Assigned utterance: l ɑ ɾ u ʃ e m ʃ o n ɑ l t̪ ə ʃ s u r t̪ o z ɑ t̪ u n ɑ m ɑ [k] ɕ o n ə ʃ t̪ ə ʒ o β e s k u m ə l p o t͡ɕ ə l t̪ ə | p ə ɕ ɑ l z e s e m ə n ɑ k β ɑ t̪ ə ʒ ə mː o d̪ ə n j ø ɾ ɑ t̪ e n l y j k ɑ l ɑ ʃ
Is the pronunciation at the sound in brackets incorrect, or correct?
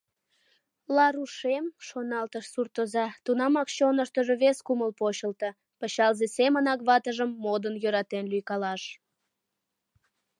correct